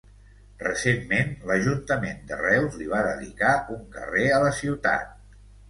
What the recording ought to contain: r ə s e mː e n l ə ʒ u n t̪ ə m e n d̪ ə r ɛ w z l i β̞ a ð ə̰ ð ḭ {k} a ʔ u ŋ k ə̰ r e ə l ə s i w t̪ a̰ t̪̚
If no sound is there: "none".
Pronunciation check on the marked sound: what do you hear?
k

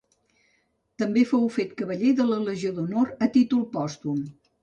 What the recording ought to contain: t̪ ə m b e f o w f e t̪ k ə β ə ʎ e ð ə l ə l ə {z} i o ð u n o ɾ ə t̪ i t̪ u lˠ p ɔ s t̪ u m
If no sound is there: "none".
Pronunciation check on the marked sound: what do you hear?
ʒ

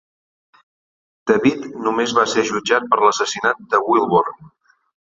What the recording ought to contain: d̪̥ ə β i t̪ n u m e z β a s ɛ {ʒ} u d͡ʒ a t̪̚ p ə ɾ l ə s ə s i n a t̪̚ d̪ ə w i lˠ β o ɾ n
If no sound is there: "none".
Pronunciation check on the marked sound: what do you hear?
ʒ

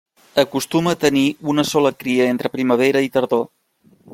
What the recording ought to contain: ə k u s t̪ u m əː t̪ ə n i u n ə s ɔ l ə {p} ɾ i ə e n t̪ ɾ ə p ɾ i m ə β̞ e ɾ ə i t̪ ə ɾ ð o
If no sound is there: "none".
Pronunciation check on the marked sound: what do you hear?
k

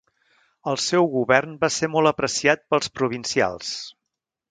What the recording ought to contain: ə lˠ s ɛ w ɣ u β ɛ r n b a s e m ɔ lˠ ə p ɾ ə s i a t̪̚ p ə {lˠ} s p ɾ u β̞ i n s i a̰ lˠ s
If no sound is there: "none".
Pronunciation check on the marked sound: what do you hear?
lˠ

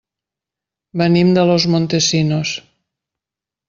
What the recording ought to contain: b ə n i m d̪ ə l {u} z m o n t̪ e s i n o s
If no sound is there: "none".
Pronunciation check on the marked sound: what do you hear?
o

